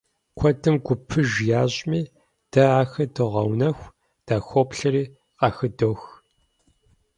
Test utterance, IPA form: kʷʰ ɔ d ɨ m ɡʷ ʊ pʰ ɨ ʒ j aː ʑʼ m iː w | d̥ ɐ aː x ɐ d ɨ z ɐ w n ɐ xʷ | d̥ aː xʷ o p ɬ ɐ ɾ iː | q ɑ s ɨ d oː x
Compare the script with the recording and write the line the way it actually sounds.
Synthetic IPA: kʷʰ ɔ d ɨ m ɡʷ ʊ pʰ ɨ ʒ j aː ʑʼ m iː | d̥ ɐ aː x ɐ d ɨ ʁ ɐ w n ɐ xʷ | d̥ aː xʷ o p ɬ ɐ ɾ iː | q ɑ x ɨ d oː x